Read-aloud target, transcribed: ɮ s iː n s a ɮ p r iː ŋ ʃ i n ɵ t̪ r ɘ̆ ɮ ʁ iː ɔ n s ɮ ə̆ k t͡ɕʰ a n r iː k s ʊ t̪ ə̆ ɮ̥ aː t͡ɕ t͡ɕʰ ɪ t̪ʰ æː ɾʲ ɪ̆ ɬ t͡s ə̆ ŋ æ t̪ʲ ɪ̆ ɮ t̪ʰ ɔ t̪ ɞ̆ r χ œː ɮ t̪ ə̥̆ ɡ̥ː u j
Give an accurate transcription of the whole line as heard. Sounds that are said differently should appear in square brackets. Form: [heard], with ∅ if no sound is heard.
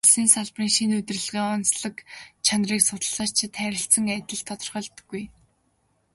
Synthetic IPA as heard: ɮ s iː n s a ɮ p r iː ŋ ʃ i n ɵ t̪ r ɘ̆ ɮ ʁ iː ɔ n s ɮ ə̆ k t͡ɕʰ a n r iː k s ʊ t̪ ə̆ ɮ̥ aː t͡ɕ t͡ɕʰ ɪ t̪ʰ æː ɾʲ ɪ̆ ɬ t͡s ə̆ ŋ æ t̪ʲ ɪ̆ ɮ t̪ʰ ɔ t̪ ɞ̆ r χ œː ɮ t̪ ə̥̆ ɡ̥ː u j